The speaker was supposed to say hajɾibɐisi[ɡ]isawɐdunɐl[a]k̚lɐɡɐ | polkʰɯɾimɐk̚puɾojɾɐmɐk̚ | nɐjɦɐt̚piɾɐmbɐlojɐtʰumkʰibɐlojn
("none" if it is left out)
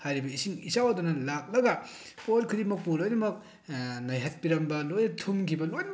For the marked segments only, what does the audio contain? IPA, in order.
ŋ, a

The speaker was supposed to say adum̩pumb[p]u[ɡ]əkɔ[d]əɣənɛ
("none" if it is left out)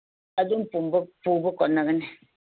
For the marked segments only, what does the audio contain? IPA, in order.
p, b, n

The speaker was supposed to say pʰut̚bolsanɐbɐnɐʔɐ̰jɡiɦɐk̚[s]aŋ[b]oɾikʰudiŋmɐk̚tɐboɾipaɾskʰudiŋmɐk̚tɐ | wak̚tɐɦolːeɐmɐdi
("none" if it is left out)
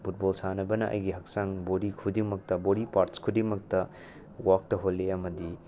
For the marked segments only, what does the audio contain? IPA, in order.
s, b

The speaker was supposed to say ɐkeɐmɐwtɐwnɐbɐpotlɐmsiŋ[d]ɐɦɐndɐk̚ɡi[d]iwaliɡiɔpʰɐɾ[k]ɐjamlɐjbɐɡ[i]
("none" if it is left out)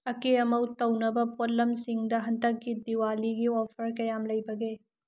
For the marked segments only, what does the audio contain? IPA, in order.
d, d, k, e

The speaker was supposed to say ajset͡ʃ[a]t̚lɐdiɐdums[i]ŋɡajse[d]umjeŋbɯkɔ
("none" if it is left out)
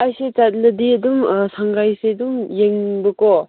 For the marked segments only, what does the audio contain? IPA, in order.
a, a, d

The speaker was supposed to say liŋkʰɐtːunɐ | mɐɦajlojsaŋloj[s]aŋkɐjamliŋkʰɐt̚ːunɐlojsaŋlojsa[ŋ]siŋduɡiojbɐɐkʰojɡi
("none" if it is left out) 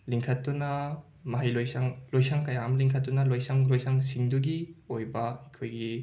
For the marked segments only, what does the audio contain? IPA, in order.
s, ŋ

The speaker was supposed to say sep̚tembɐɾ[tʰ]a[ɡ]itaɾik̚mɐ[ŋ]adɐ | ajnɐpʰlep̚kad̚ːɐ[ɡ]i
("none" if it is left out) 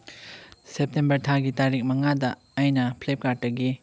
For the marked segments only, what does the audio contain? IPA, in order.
tʰ, ɡ, ŋ, ɡ

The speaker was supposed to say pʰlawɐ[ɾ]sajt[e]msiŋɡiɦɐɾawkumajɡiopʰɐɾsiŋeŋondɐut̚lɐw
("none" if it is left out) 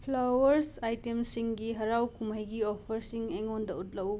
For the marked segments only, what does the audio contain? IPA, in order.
ɾ, e

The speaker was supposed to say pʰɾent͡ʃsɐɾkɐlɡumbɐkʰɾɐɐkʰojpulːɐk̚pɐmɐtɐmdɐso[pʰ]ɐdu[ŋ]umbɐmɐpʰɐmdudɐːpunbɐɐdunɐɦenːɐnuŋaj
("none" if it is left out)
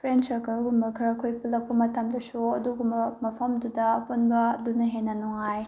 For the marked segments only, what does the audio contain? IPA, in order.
none, ɡ

